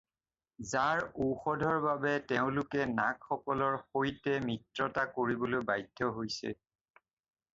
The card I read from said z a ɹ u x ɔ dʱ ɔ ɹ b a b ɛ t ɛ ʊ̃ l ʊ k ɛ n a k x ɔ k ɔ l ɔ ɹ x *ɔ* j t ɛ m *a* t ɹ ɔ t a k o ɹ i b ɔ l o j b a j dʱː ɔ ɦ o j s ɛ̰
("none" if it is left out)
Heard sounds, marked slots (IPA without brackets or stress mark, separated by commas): o, i